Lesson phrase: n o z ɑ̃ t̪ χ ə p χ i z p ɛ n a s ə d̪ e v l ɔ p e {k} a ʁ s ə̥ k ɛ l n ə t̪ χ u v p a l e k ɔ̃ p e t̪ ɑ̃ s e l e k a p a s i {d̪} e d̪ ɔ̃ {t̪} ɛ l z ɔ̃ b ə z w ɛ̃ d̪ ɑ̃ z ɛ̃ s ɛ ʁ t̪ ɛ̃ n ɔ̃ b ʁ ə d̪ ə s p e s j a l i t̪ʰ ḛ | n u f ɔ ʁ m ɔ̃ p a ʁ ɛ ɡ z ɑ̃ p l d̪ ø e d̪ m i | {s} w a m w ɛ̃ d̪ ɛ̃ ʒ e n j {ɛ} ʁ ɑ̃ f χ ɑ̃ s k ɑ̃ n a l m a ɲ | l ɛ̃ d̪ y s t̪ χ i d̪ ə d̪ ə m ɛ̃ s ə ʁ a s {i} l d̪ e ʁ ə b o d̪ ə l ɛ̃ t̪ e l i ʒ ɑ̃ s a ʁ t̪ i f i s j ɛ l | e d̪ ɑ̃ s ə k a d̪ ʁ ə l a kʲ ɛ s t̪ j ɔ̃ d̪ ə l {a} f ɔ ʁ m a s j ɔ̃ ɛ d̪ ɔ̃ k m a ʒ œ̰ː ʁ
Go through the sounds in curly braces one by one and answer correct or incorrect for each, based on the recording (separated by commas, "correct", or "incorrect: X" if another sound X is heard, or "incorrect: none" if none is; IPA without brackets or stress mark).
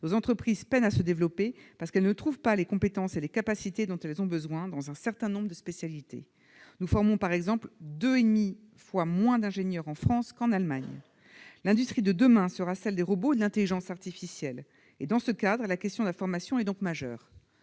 incorrect: p, incorrect: t̪, correct, incorrect: f, incorrect: œ, incorrect: ɛ, correct